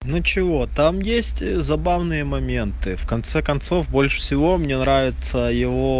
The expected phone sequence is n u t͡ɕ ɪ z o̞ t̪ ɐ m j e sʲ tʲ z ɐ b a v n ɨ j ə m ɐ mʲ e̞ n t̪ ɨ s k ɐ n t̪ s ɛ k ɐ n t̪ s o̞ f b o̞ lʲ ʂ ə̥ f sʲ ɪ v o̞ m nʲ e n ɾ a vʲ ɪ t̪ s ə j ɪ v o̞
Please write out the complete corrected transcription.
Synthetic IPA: n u t͡ɕ ɪ v o̞ t̪ a m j e sʲ tʲ z ɐ b a v n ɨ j ə m ɐ mʲ e̞ n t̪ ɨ f k ɐ n t̪ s ɛ k ɐ n t̪ s o̞ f b o̞ lʲ ʂ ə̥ f sʲ ɪ v o̞ m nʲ e n ɾ a vʲ ɪ t̪ s ə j ɪ v o̞